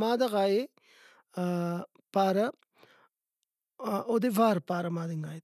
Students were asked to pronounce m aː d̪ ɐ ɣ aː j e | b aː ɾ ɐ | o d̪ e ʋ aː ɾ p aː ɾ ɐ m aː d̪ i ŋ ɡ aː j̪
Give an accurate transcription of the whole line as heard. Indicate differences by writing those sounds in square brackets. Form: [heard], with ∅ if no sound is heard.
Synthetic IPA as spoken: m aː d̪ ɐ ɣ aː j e | [p] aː ɾ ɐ | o d̪ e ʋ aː ɾ p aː ɾ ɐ m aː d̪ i ŋ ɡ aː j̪